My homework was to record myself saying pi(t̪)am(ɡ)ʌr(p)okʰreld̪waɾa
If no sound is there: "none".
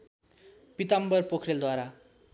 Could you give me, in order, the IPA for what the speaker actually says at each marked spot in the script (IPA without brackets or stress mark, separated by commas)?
t̪, b, p